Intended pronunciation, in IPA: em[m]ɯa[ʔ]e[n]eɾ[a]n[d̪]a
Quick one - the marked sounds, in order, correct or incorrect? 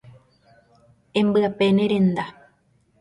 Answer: incorrect: b, incorrect: p, correct, incorrect: e, correct

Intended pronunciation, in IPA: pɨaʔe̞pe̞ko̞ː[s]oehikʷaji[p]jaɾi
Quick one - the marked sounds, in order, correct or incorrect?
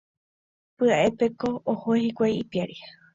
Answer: incorrect: h, correct

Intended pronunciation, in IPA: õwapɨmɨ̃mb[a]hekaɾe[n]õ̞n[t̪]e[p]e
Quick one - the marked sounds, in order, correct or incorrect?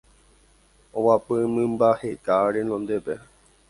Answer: correct, correct, incorrect: d̪, correct

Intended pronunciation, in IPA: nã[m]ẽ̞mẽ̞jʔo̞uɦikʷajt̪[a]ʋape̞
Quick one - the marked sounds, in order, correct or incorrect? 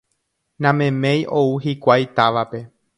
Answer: correct, correct

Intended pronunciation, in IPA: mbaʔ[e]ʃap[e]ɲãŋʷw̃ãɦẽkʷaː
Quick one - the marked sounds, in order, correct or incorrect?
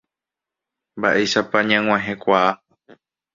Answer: correct, incorrect: a

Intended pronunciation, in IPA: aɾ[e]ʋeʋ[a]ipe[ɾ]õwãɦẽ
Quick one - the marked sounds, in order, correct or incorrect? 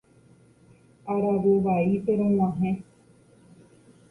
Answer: incorrect: a, correct, correct

